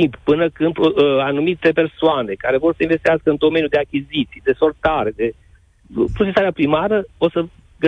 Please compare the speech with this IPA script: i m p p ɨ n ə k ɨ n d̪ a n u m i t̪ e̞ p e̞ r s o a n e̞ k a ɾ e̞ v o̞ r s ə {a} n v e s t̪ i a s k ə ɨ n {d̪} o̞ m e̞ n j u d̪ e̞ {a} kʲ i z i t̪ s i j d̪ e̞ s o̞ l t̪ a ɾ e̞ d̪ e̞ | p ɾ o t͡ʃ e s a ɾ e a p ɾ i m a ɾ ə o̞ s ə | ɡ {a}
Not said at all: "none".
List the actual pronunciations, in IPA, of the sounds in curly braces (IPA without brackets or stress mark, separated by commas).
i, d̪, a, ə